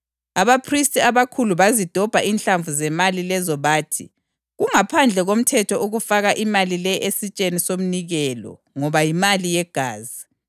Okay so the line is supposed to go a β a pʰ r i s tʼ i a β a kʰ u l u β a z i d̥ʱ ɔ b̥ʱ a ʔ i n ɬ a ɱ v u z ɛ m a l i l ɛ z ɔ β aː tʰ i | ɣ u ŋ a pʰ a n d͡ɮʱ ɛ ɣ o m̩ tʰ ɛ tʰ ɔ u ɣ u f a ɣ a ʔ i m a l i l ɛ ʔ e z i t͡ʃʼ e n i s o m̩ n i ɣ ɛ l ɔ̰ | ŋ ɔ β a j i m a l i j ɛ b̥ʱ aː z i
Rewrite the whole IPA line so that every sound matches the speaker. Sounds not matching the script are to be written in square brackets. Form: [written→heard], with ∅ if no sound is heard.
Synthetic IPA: a β a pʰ r i s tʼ i a β a kʰ u l u β a z i d̥ʱ ɔ b̥ʱ a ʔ i n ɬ a ɱ v u z ɛ m a l i l ɛ z ɔ β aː tʰ i | ɣ u ŋ a pʰ a n d͡ɮʱ ɛ ɣ o m̩ tʰ ɛ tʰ ɔ u ɣ u f a ɣ a ʔ i m a l i l ɛ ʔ e [z→s] i t͡ʃʼ e n i s o m̩ n i ɣ ɛ l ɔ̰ | ŋ ɔ β a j i m a l i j ɛ [b̥ʱ→ɡ̥ʱ] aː z i